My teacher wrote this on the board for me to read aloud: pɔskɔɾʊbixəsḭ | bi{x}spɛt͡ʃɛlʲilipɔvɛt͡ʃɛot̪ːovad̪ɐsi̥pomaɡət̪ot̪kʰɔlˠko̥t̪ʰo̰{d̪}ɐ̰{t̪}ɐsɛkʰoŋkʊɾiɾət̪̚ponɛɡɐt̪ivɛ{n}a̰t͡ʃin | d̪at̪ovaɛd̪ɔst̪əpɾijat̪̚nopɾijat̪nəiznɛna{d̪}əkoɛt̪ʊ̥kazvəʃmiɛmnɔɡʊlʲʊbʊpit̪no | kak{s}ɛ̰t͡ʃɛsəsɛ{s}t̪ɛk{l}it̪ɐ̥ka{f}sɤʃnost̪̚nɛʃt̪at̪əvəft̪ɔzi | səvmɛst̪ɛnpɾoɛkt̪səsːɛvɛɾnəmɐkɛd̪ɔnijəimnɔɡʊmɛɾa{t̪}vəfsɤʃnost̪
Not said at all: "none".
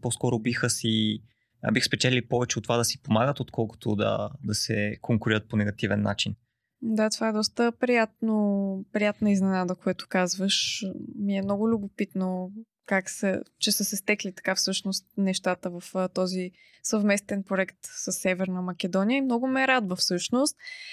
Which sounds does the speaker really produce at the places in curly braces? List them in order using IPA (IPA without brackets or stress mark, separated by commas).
x, d̪, d̪, nː, d̪, s, s, l, f, d̪